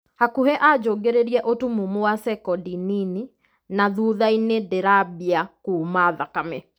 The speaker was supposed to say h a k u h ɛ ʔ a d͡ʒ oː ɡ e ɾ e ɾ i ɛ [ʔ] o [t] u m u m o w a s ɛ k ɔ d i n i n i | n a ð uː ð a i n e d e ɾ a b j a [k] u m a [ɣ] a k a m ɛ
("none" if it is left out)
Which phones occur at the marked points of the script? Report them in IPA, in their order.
ʔ, t, k, ð

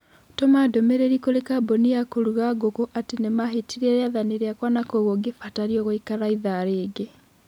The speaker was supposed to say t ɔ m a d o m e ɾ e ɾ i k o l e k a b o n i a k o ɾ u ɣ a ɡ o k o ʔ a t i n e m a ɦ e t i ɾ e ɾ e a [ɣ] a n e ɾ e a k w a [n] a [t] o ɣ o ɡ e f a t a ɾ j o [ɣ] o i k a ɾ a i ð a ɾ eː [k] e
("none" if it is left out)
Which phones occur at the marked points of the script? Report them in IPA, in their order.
ð, n, k, ɣ, ɡ

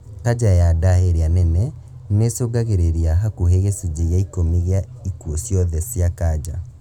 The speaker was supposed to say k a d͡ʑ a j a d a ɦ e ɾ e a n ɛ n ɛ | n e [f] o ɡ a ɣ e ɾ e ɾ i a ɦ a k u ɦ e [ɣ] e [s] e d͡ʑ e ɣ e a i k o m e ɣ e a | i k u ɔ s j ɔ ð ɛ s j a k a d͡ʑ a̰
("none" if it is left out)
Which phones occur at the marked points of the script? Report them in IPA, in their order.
s, ɣ, s

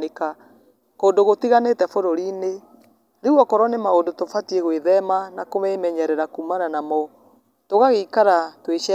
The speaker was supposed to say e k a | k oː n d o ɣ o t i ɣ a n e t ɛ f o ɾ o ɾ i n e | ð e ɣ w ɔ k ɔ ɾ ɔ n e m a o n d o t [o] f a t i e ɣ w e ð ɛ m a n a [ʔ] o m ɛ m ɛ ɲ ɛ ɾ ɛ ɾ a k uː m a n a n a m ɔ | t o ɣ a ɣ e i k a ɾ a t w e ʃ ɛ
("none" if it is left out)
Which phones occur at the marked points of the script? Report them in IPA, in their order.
o, k

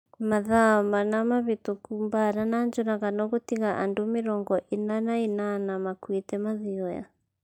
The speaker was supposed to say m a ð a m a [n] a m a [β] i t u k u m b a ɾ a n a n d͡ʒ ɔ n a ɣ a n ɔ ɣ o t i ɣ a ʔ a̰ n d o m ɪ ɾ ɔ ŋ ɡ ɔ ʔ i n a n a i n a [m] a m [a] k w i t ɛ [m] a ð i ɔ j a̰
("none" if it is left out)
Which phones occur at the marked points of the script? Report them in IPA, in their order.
n, β, n, a, m

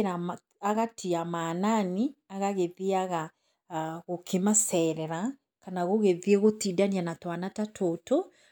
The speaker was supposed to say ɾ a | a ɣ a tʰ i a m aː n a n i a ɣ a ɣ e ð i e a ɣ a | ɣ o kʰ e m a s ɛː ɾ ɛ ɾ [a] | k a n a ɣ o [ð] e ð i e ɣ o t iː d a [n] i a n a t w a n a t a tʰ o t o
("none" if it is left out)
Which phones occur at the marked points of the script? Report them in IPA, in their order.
a, ɣ, n

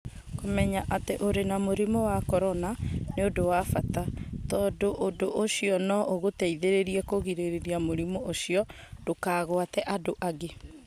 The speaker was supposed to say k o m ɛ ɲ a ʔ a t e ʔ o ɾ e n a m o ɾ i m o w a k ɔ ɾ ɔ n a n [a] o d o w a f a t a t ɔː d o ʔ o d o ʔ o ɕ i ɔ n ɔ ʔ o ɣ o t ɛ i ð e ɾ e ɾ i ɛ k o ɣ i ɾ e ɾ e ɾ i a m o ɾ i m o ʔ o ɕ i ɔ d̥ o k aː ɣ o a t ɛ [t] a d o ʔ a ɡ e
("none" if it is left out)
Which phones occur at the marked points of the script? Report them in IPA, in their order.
e, ʔ

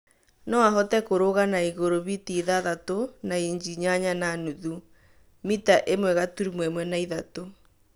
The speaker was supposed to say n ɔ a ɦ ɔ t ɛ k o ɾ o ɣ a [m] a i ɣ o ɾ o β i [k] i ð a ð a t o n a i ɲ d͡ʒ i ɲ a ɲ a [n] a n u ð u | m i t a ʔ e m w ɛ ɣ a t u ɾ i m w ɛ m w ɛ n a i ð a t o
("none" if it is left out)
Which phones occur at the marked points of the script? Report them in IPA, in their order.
n, t, n

